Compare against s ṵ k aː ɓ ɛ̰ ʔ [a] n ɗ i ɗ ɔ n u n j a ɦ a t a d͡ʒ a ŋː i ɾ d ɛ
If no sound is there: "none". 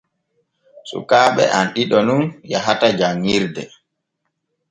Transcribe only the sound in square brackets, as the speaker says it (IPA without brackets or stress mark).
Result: a